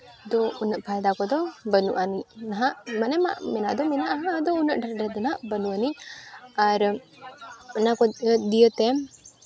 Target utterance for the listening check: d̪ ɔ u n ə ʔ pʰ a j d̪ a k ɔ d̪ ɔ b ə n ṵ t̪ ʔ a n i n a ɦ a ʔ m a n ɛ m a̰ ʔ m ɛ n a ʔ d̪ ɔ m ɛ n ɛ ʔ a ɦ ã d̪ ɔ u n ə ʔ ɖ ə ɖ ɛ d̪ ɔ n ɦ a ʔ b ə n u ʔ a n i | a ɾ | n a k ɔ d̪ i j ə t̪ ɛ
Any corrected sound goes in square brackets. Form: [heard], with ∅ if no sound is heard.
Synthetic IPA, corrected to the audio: d̪ ɔ u n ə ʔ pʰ a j d̪ a k ɔ d̪ ɔ b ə n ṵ [∅] ʔ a n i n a ɦ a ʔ m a n ɛ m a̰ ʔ m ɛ n a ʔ d̪ ɔ m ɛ n [a] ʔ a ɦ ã d̪ ɔ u n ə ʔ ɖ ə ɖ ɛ d̪ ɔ n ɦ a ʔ b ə n u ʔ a n i | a ɾ | n a k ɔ d̪ i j ə t̪ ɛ